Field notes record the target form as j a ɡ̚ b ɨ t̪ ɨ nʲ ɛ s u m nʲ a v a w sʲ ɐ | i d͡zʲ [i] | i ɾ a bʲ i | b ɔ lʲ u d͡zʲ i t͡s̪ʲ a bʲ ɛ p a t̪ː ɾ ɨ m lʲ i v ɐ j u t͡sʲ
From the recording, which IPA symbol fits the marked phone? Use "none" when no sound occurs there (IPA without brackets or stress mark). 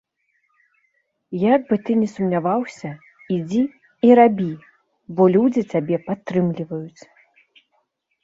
i